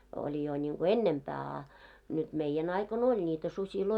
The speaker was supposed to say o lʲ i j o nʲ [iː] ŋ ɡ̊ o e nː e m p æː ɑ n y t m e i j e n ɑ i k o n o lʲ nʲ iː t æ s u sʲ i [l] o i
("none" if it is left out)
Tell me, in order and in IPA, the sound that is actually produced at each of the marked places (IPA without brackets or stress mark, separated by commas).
i, l